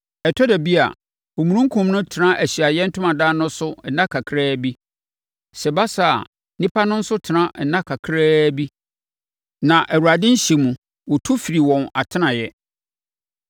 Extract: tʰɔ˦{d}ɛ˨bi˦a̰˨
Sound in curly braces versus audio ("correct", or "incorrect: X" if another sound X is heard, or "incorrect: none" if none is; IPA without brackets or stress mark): correct